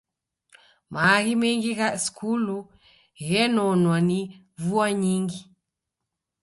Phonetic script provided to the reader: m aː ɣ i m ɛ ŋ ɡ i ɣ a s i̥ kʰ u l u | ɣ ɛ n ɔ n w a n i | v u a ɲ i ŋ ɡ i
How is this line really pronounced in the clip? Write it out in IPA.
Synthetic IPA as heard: m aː ɣ i m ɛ ŋ ɡ i ɣ a s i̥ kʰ u l u | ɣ ɛ n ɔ n w a n i | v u a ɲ i ŋ ɡ i